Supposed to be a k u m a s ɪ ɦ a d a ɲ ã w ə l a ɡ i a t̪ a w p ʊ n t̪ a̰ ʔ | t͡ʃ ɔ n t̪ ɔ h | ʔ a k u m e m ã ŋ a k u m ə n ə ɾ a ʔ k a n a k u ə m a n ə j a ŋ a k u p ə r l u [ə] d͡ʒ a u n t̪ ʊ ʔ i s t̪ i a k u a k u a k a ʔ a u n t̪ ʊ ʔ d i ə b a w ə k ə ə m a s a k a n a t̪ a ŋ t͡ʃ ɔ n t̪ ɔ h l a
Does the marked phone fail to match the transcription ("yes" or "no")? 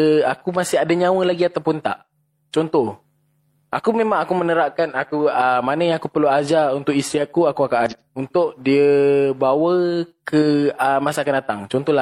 yes